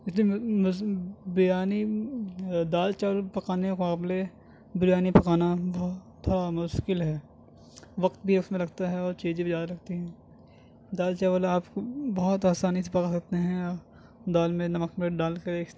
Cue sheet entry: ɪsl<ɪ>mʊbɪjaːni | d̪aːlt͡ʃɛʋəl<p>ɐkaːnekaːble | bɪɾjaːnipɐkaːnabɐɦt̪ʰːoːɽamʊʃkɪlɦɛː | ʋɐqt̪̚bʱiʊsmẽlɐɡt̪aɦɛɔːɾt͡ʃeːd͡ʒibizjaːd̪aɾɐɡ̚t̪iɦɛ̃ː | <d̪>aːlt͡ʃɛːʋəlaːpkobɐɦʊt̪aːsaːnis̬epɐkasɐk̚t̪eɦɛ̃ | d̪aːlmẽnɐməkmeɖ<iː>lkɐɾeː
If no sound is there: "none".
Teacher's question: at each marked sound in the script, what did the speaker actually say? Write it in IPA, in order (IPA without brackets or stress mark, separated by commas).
i, p, d̪, aː